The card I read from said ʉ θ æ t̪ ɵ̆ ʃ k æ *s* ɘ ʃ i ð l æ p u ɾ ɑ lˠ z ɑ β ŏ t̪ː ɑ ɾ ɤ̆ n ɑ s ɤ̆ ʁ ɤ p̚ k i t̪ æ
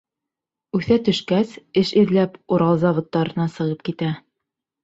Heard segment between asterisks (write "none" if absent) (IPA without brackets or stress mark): s